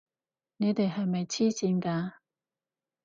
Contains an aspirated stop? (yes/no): yes